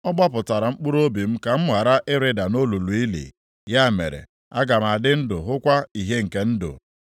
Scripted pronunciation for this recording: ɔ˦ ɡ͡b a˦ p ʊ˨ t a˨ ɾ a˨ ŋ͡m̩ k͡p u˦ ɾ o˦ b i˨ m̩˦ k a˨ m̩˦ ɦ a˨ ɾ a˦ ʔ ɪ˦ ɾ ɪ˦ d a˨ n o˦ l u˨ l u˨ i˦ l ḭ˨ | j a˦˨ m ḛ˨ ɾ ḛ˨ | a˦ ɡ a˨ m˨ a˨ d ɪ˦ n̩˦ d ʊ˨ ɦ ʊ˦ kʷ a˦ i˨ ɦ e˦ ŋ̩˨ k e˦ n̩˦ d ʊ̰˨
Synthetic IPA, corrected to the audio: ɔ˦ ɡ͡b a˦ p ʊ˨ t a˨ ɾ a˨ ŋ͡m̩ k͡p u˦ ɾ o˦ b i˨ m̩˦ k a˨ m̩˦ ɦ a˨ ɾ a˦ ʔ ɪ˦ ɾ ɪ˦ d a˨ n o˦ l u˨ l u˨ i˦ l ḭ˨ | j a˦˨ m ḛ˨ ɾ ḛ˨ | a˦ ɡ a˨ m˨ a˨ d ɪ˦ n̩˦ d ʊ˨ ɦ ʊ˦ kʷ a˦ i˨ ɦ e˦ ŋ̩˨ k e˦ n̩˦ d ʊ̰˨